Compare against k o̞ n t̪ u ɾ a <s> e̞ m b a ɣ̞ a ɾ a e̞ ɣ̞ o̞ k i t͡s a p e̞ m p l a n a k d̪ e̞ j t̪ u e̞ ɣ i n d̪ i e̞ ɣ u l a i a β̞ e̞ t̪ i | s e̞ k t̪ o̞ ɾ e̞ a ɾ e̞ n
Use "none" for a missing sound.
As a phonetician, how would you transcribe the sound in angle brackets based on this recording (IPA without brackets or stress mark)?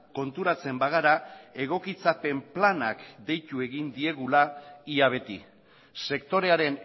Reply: t͡s